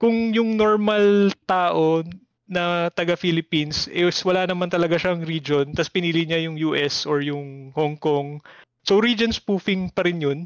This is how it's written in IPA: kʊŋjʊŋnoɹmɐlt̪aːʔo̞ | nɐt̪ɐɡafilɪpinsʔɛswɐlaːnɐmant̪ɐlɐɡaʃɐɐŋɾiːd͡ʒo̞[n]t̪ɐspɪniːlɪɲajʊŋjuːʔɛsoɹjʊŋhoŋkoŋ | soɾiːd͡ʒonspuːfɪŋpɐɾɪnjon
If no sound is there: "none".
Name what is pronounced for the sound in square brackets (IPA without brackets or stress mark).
n